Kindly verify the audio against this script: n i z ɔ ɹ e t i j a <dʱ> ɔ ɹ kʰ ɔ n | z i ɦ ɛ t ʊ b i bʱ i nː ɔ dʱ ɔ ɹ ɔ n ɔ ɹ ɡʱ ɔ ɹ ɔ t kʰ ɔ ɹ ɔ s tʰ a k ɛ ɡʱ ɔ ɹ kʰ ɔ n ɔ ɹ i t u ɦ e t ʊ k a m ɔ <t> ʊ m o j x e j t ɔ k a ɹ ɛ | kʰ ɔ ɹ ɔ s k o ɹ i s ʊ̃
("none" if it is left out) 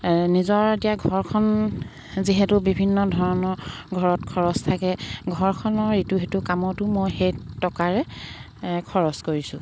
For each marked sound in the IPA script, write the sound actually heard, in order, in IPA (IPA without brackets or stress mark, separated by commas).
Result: ɡʱ, t